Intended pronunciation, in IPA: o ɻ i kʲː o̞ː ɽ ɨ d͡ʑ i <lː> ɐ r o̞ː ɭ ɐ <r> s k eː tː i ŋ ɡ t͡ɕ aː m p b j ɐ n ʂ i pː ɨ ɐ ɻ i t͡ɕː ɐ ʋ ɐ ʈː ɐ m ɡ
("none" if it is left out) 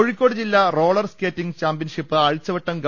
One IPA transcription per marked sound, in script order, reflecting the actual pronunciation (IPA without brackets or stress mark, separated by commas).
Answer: lː, r